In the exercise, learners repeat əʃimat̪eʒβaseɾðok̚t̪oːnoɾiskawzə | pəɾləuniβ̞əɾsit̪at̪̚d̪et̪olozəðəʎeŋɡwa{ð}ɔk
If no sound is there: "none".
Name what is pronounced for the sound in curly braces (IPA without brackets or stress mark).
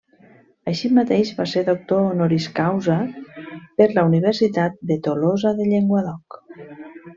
ð